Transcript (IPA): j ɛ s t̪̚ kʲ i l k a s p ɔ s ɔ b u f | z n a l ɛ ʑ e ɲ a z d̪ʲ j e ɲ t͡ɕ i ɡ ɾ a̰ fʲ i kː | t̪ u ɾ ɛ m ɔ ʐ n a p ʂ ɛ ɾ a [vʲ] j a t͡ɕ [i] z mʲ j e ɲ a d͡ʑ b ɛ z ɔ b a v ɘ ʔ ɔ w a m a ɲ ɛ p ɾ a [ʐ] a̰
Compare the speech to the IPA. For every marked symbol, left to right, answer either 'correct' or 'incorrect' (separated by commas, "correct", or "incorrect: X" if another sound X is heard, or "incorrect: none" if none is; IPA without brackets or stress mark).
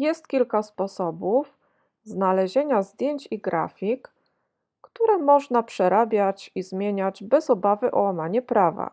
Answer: incorrect: bʲ, correct, incorrect: v